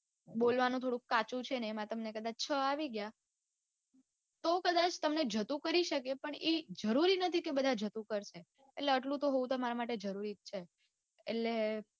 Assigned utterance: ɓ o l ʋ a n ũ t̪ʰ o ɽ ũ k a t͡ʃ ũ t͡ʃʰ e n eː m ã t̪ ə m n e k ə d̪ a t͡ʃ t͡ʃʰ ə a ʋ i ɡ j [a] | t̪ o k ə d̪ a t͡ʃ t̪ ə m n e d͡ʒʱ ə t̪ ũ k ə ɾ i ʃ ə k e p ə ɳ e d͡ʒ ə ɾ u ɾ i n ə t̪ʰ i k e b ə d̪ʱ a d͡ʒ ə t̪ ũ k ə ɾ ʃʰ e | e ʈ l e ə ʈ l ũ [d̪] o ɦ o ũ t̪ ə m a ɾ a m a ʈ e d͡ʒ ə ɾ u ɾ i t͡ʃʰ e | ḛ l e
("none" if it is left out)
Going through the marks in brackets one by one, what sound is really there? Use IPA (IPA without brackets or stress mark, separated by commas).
a, t̪